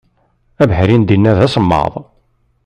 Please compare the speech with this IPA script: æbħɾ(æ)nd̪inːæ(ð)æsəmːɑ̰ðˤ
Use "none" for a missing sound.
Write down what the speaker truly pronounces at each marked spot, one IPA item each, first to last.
i, ð

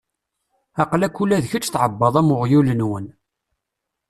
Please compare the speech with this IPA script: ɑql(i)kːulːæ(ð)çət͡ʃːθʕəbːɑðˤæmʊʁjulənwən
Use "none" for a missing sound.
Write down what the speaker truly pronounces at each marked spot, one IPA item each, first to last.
æ, ð

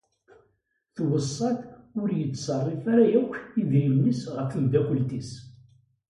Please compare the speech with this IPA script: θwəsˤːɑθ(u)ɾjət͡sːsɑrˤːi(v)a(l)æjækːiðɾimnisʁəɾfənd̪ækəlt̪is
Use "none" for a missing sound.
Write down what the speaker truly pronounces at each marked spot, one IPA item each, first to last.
ʊ, f, ɾ

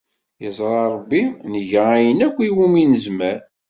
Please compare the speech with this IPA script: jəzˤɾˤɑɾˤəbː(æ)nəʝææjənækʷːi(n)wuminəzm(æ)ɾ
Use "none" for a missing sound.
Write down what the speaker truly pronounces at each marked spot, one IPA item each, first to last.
i, none, æ

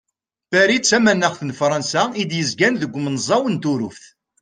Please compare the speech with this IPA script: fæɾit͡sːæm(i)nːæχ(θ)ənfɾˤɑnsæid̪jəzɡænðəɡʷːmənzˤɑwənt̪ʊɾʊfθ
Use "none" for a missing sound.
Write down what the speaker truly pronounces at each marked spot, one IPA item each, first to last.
æ, θ

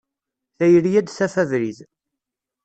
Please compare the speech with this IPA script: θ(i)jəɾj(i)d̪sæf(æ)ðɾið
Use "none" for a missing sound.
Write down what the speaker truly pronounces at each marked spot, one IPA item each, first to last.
æ, æ, æ

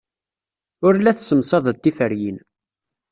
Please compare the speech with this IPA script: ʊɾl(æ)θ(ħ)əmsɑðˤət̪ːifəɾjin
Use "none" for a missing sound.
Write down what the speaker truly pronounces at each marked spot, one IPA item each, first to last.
æ, s

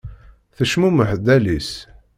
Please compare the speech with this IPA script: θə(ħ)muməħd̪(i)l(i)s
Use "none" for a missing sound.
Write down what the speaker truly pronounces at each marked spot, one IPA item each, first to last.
ʃ, æ, i

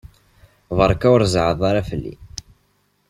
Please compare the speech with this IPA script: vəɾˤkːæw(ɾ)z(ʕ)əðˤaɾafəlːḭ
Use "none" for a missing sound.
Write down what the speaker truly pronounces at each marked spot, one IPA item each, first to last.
ɾ, ʕ

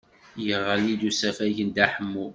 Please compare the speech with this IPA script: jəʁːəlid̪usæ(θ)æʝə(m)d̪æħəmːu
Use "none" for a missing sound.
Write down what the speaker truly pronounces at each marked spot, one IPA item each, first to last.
f, n

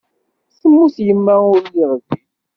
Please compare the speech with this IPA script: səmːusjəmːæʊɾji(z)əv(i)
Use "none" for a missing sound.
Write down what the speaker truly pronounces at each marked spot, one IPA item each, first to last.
ʁ, i

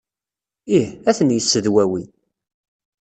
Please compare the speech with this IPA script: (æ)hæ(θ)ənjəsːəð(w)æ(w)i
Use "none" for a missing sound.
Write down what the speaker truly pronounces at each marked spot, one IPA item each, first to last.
i, θ, w, w

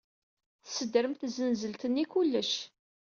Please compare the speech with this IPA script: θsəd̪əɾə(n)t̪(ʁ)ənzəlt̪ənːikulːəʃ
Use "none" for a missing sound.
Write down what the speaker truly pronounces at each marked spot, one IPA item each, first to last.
m, z

